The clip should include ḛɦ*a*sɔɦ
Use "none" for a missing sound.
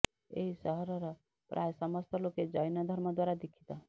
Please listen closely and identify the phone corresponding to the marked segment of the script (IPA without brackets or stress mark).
i